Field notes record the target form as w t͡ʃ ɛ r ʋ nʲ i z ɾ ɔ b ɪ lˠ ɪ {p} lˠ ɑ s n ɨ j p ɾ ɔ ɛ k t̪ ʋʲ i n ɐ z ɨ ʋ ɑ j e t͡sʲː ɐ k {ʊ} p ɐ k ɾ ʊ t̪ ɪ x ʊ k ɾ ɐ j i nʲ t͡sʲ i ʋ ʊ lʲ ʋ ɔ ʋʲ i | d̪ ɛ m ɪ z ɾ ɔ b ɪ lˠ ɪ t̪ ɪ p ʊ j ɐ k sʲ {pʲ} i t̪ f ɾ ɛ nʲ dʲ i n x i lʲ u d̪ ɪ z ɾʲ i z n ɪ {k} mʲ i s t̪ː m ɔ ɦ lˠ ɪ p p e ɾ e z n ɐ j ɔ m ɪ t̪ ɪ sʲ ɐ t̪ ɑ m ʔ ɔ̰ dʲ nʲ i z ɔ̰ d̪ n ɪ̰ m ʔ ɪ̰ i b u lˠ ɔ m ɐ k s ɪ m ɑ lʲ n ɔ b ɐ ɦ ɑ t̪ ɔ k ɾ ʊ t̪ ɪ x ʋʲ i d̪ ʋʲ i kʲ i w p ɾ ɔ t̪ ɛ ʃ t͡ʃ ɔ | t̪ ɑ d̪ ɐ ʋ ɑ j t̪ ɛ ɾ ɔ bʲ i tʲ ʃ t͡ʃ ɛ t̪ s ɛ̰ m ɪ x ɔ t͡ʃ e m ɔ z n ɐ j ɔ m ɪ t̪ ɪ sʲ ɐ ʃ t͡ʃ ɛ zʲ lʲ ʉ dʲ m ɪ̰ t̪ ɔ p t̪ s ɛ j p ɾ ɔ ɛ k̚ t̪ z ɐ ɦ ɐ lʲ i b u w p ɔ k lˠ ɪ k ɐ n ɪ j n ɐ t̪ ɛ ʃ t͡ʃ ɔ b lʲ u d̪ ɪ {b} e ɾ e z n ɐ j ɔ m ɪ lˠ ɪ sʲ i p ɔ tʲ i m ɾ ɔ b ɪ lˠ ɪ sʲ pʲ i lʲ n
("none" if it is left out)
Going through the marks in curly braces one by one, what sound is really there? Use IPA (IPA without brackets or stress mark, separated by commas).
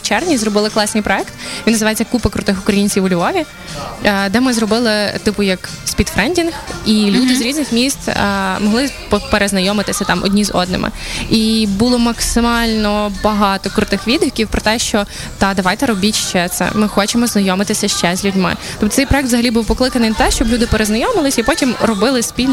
k, u, pʲ, x, p